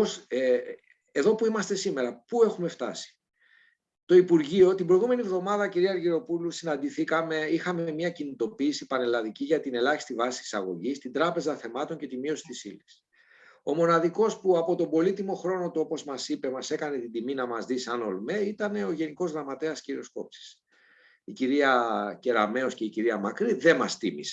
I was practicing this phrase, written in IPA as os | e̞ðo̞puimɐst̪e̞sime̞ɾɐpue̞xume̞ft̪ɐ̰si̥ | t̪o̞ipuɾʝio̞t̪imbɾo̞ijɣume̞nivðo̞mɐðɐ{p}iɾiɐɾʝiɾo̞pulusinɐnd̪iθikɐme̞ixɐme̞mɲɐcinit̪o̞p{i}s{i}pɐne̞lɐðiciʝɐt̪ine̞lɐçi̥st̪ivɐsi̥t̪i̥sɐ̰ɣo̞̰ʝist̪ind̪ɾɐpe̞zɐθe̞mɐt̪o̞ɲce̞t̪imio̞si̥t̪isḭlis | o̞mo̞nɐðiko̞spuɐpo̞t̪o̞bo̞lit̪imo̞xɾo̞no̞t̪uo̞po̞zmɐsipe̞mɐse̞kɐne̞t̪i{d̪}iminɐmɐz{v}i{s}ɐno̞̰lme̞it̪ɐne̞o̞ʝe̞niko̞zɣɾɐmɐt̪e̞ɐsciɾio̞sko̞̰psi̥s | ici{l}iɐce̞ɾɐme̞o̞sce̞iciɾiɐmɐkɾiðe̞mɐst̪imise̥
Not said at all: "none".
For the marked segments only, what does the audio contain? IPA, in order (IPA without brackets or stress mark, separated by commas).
c, iː, i, d̪, ð, s, ɾ